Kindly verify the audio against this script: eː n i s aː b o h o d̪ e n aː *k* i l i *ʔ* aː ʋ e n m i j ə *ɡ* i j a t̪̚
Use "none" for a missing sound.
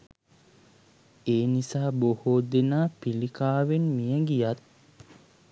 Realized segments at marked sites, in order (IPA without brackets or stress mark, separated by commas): p, k, ɡ